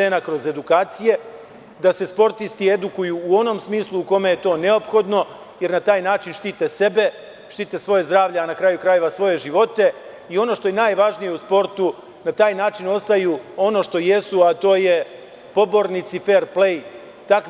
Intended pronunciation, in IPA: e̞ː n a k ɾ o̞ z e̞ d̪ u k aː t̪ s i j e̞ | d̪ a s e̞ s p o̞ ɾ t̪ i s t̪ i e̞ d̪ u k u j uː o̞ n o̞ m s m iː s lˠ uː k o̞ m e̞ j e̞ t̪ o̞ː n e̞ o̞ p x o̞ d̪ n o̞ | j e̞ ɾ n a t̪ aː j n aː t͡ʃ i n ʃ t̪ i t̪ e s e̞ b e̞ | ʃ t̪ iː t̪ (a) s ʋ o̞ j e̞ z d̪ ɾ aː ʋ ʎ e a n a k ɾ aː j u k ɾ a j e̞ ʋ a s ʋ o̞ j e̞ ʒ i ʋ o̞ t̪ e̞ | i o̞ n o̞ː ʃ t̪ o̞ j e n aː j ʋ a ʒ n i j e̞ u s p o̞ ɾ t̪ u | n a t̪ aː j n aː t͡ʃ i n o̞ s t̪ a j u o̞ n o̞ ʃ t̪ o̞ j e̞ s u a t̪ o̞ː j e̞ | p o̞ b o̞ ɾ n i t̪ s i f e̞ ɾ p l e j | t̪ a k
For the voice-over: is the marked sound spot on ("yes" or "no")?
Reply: no